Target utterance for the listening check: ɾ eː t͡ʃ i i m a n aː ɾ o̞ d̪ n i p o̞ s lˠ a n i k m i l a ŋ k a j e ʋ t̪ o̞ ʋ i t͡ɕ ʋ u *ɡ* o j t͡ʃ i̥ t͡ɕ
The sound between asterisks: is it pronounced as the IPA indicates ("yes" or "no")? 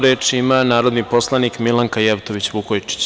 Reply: no